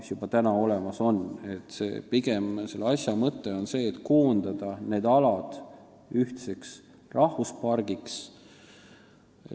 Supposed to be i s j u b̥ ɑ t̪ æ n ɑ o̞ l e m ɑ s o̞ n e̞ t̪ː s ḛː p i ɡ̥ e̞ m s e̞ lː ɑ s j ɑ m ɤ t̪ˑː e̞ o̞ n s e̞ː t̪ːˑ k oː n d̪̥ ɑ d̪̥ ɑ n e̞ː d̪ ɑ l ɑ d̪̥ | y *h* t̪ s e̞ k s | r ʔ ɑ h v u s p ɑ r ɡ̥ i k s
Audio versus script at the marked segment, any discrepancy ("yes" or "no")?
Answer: no